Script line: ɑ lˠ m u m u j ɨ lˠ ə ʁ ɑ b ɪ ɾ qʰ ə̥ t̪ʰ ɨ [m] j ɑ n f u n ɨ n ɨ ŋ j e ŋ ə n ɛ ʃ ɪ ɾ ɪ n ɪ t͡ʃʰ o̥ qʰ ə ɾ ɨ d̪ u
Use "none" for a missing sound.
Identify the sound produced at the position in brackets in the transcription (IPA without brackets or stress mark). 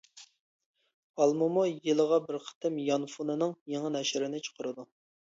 m